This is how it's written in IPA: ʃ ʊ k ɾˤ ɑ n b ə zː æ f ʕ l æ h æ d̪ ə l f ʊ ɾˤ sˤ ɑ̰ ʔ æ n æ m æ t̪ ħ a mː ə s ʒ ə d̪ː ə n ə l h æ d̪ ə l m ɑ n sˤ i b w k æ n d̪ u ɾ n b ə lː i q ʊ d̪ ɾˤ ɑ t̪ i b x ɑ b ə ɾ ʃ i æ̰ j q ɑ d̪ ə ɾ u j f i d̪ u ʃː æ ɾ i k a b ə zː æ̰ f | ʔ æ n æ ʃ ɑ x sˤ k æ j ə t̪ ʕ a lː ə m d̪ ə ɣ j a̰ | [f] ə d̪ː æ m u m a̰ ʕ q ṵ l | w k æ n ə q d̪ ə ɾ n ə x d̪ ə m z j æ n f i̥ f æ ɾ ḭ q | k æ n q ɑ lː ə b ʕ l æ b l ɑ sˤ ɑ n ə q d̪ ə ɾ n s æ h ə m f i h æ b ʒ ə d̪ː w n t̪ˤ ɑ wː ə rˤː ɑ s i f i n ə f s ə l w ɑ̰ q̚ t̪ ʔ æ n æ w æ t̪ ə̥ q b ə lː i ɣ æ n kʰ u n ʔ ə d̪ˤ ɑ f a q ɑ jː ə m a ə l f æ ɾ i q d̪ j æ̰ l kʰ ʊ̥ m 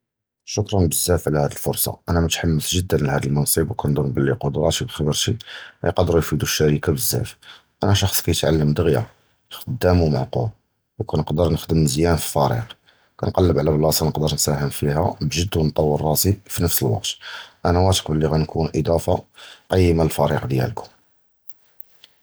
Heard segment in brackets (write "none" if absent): x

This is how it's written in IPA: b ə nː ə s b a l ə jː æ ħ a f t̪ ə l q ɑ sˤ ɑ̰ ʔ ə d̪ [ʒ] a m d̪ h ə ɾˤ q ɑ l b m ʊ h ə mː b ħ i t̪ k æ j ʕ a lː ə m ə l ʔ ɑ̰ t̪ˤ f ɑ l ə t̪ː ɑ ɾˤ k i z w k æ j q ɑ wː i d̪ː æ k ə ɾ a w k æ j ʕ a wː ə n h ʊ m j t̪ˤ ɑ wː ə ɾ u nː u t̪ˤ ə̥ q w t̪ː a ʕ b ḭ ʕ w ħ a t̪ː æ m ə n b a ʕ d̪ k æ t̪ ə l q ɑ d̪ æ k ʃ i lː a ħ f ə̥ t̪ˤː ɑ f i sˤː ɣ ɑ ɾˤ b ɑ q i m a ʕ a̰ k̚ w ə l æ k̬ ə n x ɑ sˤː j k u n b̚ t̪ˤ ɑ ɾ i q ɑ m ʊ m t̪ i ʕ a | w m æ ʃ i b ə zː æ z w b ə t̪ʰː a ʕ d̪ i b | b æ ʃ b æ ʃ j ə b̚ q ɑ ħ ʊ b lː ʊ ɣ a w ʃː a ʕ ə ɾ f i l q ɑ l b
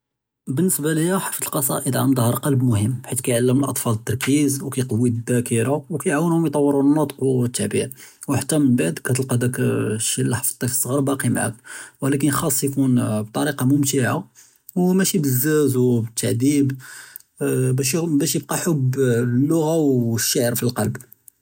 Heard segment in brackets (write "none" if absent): ʕ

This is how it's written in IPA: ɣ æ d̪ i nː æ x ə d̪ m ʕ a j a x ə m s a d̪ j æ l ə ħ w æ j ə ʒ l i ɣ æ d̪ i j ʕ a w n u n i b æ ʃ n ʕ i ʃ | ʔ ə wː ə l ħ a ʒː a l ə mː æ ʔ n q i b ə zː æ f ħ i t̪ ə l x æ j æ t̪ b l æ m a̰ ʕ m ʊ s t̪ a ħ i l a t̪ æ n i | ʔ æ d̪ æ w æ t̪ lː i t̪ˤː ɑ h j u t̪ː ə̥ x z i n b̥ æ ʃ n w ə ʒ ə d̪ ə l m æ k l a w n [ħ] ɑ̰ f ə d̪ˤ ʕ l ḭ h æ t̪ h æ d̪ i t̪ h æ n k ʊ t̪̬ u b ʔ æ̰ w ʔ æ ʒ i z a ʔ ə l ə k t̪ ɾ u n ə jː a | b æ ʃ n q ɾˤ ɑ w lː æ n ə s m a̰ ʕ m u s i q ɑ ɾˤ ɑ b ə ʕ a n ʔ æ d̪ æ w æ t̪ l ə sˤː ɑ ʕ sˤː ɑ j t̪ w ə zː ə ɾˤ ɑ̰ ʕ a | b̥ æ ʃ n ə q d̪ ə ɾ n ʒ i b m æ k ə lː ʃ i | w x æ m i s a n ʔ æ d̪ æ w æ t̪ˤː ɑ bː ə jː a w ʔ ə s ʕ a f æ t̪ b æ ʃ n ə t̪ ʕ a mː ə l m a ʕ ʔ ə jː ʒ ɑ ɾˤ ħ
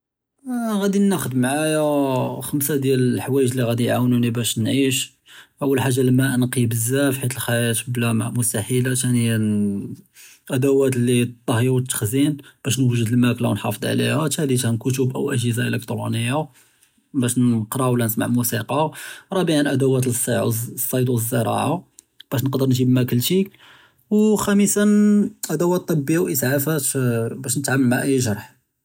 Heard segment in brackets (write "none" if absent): ħ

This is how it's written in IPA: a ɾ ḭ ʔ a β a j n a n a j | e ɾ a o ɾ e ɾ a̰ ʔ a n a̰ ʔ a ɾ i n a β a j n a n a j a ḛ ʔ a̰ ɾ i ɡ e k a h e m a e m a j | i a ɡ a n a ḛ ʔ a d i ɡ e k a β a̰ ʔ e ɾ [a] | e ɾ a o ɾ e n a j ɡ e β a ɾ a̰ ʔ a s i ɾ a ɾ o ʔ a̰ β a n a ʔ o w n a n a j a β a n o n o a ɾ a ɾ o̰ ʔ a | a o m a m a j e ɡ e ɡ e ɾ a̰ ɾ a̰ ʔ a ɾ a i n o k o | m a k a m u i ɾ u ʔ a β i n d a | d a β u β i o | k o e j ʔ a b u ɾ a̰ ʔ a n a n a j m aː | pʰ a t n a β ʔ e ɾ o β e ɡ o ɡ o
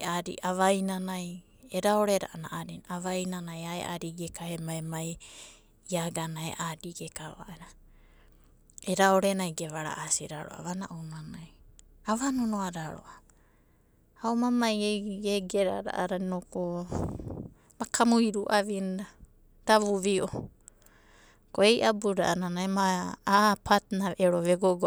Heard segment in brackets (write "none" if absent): a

